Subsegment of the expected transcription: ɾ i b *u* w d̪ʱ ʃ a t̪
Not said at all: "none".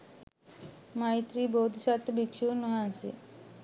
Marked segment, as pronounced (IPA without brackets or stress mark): o